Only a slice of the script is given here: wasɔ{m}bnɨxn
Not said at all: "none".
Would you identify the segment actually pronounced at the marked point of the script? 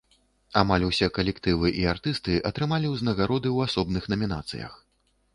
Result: none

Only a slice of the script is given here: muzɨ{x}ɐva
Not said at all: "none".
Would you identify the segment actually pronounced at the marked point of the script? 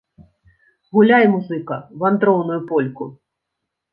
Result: k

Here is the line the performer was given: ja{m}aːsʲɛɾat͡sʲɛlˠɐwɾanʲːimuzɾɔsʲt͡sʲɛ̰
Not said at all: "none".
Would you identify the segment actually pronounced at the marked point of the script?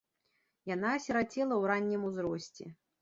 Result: n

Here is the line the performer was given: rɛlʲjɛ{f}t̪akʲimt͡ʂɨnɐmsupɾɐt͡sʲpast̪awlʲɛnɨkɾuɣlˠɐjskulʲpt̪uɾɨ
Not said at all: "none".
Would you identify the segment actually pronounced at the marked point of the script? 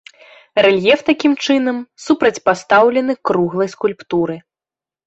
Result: f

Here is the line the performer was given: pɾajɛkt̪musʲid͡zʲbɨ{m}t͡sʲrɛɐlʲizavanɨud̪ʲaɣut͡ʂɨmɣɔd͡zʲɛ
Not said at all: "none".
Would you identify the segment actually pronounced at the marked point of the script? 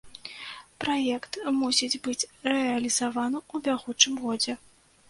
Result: none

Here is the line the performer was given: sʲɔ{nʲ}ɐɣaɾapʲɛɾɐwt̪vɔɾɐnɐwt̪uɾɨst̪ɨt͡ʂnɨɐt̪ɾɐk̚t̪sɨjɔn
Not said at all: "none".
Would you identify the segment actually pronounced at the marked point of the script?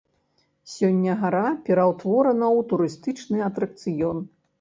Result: nʲː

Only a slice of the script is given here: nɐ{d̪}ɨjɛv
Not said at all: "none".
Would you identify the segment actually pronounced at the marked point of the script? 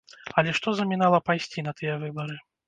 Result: t̪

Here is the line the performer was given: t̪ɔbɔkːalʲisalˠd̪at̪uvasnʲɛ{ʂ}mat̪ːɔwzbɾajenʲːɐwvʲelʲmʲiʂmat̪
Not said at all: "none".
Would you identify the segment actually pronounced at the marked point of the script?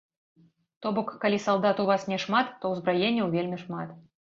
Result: ʂ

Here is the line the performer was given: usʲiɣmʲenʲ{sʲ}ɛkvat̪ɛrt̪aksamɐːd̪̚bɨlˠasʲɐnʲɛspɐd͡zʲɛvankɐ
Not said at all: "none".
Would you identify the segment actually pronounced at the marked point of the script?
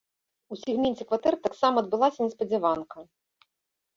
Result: t͡sʲ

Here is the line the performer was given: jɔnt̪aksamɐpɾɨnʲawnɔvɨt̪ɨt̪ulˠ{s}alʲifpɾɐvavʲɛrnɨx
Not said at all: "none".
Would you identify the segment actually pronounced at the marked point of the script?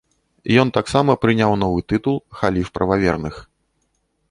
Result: x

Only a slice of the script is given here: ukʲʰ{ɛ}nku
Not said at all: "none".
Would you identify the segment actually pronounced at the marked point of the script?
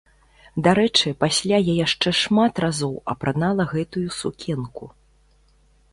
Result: ɛ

